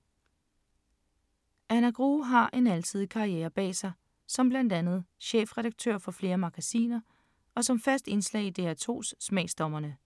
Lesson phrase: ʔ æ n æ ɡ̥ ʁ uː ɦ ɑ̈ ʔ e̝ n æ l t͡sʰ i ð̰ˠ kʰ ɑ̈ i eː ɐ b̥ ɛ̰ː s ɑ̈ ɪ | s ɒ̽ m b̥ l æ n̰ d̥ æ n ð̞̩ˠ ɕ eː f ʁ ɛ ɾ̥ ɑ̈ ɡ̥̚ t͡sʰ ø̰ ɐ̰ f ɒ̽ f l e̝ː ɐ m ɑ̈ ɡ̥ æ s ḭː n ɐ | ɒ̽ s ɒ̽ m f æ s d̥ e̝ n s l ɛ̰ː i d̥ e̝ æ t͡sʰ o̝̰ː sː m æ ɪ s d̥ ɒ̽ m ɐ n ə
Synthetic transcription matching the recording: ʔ æ n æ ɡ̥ ʁ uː ɦ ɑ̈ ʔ e̝ n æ l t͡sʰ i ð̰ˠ kʰ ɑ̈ i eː ɐ b̥ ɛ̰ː s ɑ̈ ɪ | s ɒ̽ m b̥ l æ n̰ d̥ æ n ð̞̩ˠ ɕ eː f ʁ ɛ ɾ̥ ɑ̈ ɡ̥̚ t͡sʰ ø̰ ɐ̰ f ɒ̽ f l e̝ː ɐ m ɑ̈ ɡ̥ æ s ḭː n ɐ | ɒ̽ s ɒ̽ m f æ s d̥ e̝ n s l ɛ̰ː i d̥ e̝ æ t͡sʰ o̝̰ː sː m ɛ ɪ s d̥ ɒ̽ m ɐ n ə